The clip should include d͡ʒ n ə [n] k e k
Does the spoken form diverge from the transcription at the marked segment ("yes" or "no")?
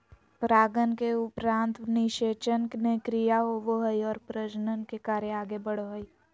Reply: no